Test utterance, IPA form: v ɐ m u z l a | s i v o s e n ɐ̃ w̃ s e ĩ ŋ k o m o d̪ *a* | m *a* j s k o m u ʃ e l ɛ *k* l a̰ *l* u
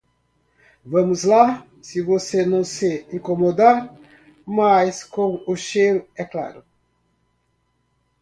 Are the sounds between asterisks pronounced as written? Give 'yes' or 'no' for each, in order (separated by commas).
yes, yes, yes, no